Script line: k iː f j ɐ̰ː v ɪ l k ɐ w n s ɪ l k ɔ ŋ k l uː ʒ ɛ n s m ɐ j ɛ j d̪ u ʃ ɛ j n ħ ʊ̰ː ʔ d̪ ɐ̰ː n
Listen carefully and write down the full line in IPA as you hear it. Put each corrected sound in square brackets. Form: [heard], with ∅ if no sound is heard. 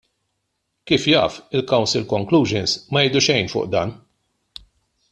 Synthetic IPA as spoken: k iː f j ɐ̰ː [f] ɪ l k ɐ w n s ɪ l k ɔ ŋ k l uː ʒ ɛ n s m ɐ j ɛ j d̪ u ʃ ɛ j n [f] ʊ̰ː ʔ d̪ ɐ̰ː n